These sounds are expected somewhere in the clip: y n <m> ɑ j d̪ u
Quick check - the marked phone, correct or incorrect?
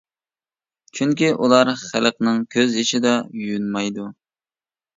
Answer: correct